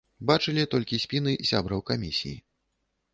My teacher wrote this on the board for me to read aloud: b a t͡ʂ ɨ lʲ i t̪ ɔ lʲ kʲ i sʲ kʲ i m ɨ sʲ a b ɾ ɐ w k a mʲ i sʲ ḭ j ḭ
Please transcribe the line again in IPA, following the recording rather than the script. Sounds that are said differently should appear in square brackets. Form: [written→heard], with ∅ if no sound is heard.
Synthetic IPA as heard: b a t͡ʂ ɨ lʲ i t̪ ɔ lʲ kʲ i sʲ [kʲ→pʲ] i [m→n] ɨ sʲ a b ɾ ɐ w k a mʲ i sʲ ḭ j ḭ